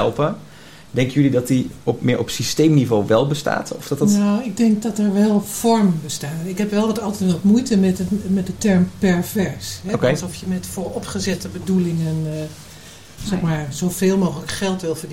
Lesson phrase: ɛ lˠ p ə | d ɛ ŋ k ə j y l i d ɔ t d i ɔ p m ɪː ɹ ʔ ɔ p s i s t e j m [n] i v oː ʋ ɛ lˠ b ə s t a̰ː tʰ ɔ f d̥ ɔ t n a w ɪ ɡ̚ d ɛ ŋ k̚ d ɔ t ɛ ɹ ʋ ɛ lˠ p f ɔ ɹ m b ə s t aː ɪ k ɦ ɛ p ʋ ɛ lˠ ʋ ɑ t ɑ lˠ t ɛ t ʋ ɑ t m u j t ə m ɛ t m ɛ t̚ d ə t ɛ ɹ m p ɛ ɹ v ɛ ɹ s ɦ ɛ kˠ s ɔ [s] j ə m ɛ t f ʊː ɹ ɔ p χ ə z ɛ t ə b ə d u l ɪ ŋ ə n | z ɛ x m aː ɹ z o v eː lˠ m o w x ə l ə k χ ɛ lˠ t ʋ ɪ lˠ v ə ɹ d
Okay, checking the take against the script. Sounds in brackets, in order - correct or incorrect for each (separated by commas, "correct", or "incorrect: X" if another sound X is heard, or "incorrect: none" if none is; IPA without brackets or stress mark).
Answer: correct, incorrect: f